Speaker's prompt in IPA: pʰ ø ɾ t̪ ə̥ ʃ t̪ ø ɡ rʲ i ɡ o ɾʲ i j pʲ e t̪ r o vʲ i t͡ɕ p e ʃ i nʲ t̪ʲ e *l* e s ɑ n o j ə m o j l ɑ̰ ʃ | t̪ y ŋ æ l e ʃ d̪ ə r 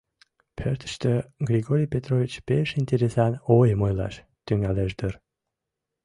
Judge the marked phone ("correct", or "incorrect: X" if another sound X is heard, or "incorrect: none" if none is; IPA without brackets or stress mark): incorrect: ɾ